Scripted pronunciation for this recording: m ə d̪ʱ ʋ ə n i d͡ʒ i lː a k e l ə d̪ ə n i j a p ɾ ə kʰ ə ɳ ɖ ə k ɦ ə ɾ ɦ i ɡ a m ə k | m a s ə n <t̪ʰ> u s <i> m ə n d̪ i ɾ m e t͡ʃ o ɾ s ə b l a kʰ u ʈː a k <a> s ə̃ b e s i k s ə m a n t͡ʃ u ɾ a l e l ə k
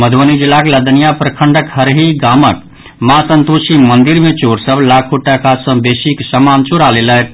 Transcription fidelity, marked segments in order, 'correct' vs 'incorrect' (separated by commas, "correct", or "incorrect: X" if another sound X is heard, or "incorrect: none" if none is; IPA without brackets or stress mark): incorrect: t̪, correct, correct